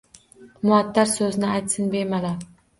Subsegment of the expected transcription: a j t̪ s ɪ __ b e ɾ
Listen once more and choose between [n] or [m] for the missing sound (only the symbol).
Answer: n